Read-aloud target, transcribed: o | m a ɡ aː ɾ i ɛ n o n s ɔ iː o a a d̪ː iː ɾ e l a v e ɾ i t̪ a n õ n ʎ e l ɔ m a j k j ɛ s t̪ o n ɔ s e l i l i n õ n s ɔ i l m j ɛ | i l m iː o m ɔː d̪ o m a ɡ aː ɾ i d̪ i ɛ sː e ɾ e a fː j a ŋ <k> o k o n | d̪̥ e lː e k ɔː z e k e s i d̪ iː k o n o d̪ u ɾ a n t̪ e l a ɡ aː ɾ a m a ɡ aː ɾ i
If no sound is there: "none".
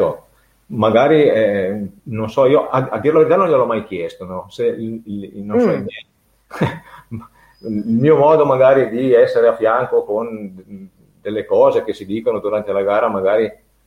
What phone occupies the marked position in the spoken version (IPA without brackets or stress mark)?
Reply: k